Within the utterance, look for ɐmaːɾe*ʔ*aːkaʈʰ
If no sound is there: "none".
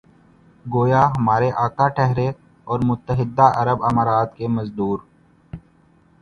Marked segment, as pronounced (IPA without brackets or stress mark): ʔ